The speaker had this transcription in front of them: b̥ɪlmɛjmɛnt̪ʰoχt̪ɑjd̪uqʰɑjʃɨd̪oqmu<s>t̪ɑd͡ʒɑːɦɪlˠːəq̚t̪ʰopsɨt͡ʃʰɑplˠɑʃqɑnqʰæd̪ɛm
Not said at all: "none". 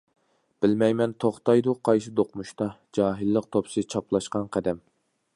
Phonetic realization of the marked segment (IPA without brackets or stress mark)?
ʃ